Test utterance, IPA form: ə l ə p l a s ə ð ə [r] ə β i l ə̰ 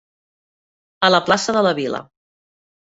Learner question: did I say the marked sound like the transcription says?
no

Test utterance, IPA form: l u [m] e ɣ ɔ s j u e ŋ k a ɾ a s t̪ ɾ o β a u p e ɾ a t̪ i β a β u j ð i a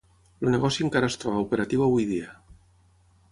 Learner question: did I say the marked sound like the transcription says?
no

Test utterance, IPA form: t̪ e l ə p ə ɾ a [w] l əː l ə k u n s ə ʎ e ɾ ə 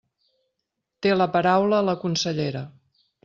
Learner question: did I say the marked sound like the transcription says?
yes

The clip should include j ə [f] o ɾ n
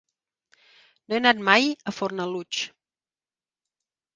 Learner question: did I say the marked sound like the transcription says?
yes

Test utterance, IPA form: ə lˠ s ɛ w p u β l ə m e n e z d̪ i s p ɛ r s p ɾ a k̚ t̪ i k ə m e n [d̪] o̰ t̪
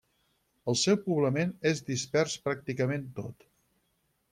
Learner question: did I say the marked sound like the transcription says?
no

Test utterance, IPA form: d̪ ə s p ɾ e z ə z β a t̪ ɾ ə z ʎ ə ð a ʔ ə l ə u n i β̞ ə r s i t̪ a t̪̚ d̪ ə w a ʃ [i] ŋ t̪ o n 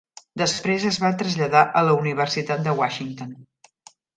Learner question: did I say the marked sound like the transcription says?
yes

